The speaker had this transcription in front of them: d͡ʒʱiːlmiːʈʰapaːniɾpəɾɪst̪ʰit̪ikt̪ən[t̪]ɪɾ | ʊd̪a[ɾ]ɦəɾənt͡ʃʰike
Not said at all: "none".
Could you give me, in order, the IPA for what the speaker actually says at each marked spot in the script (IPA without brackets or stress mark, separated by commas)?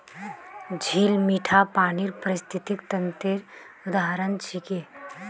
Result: t̪, none